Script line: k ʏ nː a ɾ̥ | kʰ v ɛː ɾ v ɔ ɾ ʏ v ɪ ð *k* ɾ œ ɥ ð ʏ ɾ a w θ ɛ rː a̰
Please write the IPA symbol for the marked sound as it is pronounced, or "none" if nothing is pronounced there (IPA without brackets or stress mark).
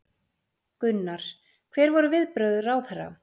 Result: p